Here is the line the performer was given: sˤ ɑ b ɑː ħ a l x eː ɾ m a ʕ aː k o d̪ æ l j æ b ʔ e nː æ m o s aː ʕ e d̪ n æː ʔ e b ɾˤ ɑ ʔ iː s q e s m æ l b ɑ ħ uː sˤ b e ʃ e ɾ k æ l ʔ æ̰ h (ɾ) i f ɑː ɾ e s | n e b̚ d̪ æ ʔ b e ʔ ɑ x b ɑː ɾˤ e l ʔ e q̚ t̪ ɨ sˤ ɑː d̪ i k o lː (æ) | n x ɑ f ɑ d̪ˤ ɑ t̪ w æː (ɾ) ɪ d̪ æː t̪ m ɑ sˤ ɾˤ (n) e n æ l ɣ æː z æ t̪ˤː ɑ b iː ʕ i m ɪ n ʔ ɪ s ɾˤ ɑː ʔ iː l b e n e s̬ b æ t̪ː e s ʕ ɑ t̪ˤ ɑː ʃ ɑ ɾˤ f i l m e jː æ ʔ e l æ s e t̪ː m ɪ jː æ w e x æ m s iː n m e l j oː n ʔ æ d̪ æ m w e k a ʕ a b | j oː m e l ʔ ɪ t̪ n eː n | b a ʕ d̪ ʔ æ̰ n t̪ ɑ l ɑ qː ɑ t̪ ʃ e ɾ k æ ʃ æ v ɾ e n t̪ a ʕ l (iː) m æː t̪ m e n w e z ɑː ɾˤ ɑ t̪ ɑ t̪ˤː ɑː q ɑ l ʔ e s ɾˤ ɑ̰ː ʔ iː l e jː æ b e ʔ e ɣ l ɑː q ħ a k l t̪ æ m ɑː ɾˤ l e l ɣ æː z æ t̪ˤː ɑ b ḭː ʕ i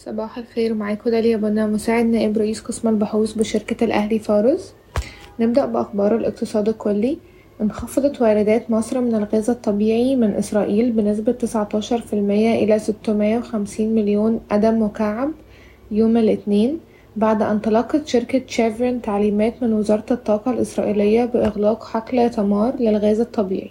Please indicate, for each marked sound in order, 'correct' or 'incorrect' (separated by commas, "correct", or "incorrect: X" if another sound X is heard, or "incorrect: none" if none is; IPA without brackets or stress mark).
incorrect: l, incorrect: i, correct, incorrect: m, correct